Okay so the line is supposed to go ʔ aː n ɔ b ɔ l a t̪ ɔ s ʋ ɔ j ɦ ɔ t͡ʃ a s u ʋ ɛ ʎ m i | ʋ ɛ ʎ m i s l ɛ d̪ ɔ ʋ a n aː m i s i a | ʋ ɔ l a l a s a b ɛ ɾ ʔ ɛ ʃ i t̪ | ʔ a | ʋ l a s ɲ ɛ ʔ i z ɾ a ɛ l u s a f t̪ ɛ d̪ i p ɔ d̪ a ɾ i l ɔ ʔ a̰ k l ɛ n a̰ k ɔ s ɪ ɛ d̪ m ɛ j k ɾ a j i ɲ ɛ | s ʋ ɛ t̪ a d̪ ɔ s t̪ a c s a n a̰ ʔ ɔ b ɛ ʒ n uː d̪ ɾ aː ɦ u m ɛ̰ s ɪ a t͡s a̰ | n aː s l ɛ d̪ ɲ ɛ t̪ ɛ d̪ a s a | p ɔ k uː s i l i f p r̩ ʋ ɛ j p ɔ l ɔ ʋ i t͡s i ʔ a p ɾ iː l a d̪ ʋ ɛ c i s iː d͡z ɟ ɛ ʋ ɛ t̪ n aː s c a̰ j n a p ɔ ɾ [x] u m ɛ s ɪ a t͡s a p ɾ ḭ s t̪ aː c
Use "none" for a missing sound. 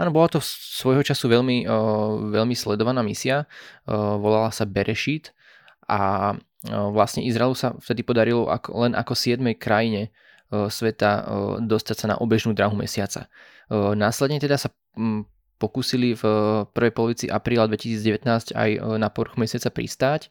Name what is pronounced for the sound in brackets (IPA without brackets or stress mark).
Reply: x